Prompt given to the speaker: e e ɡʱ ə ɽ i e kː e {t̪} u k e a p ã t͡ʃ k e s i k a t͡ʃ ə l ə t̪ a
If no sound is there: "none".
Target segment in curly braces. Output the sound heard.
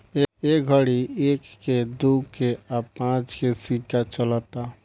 d̪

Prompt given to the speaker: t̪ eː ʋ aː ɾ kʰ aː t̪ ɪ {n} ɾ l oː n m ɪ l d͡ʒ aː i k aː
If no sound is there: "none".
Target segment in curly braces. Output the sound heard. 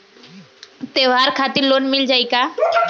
none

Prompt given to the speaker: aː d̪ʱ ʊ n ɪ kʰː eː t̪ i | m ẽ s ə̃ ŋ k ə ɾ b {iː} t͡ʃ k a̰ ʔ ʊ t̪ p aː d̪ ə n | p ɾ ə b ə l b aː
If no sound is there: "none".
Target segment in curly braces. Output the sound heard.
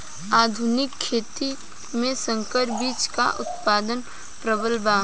iː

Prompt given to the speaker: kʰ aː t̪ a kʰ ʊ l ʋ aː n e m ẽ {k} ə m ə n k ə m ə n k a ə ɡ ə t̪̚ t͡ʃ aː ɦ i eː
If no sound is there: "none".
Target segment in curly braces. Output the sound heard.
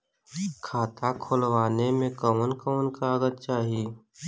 k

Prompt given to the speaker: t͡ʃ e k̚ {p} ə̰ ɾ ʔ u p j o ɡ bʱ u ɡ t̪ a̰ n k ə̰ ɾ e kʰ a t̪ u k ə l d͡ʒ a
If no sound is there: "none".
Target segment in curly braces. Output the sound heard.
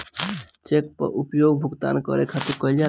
p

